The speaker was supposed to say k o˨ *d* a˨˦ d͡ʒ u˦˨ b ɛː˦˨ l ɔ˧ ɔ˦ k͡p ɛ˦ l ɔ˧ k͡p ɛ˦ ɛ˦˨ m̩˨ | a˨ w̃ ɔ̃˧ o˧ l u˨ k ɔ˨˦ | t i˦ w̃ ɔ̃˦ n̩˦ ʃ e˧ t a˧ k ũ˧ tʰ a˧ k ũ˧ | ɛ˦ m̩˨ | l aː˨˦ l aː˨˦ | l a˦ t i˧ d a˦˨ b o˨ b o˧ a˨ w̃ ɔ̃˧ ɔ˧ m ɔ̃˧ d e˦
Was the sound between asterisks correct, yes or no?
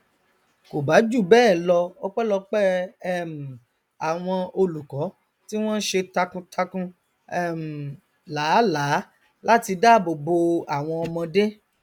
no